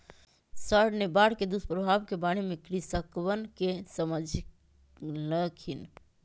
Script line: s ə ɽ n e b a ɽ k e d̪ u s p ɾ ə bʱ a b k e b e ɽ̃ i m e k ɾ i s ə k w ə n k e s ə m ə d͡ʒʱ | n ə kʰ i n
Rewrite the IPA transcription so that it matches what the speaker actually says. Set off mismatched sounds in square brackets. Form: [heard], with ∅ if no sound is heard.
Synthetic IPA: s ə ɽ n e b a ɽ k e d̪ u s p ɾ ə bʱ a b k e b [a] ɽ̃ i m e k ɾ i s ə k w ə n k e s ə m ə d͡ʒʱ | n ə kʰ i n

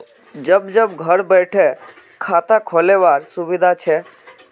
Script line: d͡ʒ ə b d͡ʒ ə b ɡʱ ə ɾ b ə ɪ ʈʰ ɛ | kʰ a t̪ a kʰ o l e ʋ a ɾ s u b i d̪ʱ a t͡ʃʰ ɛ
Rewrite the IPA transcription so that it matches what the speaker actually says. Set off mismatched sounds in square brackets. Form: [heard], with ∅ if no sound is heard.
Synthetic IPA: d͡ʒ ə b d͡ʒ ə b ɡʱ ə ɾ b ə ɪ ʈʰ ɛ | kʰ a t̪ a kʰ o l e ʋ a ɾ s u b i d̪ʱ a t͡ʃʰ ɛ

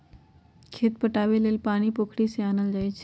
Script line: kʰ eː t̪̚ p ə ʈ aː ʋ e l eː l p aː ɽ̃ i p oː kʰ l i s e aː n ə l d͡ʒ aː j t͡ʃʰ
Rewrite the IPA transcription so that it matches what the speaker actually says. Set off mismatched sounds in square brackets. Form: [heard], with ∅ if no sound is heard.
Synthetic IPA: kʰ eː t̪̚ p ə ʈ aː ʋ e l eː l p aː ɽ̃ i p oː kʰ [ɽ] i s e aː n ə l d͡ʒ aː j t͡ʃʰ

